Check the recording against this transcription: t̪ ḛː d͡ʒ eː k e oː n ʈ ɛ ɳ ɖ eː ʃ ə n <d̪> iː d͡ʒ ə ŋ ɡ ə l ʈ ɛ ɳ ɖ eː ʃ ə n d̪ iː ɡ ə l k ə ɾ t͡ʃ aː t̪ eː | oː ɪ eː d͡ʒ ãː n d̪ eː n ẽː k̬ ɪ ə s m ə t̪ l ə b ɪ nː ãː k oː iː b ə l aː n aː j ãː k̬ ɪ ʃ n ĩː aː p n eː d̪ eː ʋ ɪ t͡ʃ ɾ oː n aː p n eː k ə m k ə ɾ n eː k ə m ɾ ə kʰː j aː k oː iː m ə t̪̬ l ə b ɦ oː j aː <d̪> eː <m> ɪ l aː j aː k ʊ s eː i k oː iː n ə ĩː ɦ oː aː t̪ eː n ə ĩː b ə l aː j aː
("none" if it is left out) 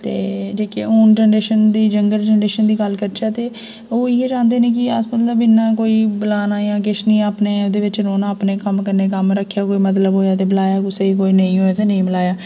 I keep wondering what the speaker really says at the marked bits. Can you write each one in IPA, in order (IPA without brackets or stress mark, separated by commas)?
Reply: d̪, t̪, b